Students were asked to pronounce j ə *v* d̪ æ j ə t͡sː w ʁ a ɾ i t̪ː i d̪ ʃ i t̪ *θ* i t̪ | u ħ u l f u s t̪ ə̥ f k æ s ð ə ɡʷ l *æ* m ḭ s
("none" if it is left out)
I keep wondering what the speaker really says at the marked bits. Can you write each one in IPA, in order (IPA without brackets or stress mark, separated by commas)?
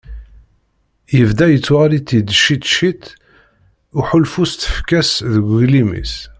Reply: v, ʃ, i